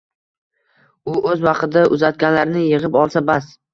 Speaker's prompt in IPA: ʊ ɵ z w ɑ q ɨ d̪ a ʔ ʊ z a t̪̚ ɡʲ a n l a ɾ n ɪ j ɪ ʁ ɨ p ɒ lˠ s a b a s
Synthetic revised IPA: ʊ ɵ z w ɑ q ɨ d̪ a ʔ ʊ z a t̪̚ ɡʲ a n l a ɾ n ɪ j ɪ ʁ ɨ p ɒ lˠ s a b a s